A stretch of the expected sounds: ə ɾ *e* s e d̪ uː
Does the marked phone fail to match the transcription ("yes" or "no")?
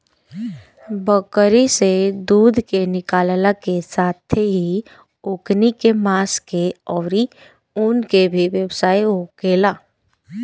yes